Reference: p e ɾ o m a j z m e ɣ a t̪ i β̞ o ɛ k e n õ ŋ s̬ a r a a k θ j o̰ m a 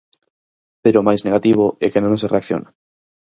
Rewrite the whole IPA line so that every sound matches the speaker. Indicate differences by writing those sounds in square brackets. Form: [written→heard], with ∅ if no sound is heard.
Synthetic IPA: p e ɾ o m a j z [m→n] e ɣ a t̪ i β̞ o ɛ k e n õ ŋ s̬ [a→e] r [a→e] a k θ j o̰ [m→n] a